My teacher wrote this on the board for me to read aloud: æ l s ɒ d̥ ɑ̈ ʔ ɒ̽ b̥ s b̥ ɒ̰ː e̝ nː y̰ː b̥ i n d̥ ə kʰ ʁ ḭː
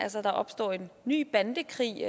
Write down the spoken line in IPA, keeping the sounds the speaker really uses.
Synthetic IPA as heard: æ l s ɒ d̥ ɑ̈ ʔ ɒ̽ b̥ s d̥ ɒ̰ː e̝ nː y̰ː b̥ æ n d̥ ə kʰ ʁ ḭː